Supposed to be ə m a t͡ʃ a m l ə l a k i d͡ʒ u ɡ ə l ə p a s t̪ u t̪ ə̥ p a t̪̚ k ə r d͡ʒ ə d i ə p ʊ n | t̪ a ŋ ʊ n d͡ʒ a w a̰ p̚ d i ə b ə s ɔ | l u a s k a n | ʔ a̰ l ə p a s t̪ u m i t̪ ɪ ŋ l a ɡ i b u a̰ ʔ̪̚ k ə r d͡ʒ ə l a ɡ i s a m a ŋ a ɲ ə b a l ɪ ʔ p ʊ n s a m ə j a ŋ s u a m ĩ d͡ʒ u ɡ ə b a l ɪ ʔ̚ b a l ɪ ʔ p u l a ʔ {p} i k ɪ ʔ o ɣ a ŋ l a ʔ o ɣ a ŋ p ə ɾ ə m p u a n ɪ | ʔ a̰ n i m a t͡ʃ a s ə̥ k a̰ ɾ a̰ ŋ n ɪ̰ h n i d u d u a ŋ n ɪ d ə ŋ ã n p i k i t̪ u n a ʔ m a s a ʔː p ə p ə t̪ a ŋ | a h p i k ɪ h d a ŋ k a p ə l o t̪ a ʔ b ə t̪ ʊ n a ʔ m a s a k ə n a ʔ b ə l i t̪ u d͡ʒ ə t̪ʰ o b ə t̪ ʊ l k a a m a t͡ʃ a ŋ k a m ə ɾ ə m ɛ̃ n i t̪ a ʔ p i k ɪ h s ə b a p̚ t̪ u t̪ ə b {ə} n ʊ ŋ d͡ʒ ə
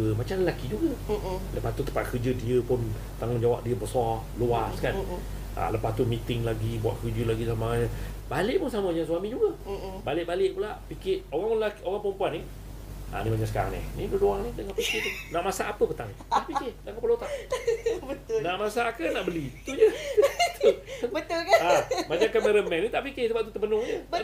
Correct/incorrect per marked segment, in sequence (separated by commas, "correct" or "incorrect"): correct, correct